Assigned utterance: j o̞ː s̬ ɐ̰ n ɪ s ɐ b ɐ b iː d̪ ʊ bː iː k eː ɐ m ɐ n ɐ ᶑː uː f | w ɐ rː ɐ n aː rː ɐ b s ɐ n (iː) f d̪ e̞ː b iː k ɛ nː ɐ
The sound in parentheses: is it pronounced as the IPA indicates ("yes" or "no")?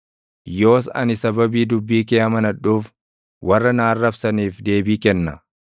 yes